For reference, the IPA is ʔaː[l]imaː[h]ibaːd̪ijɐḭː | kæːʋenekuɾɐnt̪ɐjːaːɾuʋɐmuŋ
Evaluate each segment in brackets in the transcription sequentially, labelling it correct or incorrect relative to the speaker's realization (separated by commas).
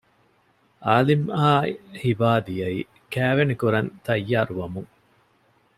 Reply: correct, correct